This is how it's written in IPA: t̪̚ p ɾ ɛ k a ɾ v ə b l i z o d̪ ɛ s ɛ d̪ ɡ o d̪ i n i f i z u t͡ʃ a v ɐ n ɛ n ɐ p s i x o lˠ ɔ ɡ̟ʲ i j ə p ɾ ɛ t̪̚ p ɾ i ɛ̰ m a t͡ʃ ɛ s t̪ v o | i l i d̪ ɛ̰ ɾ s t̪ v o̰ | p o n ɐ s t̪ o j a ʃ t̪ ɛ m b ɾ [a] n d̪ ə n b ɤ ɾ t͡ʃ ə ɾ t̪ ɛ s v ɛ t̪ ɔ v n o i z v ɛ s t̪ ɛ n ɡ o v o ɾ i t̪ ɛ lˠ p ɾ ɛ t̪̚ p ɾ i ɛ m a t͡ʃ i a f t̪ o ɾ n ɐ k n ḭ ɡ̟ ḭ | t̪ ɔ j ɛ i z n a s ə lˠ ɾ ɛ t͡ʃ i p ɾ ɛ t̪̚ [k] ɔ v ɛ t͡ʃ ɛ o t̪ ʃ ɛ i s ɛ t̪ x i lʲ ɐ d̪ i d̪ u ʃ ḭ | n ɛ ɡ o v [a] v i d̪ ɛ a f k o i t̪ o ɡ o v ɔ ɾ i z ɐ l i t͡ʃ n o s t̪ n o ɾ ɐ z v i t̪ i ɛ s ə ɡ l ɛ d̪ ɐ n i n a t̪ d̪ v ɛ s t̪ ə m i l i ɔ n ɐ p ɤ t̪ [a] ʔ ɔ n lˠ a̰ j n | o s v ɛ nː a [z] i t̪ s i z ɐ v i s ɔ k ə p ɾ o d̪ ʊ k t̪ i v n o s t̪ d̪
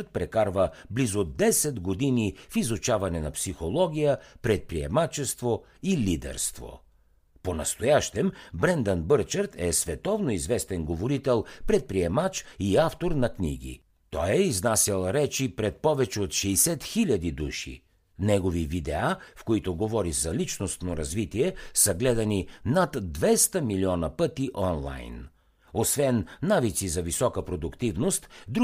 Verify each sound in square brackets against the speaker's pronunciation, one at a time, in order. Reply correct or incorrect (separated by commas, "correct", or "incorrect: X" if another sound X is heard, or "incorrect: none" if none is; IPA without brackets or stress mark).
incorrect: ɛ, incorrect: p, incorrect: i, incorrect: i, incorrect: v